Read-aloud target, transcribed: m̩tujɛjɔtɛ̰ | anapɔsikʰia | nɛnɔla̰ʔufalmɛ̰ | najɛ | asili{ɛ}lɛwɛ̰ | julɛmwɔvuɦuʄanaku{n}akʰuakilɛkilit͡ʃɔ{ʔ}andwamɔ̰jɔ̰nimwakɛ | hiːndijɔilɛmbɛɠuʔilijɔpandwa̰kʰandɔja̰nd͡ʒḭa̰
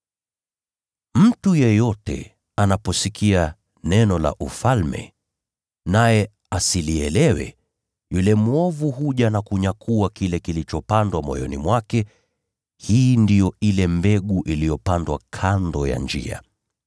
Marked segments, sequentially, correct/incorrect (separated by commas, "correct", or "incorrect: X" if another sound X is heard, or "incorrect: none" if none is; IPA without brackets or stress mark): correct, incorrect: ɲ, incorrect: p